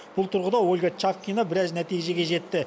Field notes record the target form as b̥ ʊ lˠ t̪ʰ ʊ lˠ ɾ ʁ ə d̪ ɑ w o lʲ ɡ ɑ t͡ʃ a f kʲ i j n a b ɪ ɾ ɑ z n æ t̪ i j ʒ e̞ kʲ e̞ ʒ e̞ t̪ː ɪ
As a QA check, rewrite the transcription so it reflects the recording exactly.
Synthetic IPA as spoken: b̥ ʊ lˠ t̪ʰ ʊ ɾ ʁ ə d̪ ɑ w o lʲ ɡ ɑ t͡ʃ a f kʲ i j n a b ɪ ɾ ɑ z n æ t̪ i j ʒ e̞ ɡʲ e̞ ʒ e̞ t̪ː ɪ